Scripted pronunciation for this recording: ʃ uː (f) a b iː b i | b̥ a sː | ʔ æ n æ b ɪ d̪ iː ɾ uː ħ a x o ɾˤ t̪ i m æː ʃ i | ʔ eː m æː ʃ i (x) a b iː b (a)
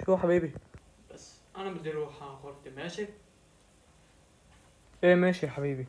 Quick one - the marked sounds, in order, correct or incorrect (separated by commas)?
incorrect, incorrect, incorrect